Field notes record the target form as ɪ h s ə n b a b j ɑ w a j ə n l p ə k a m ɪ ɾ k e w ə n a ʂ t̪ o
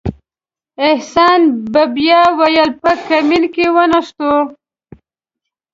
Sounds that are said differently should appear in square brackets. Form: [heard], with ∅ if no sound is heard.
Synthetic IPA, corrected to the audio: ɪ h s [ɑ] n b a b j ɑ w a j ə [∅] l p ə k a m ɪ [l] k e w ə n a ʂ t̪ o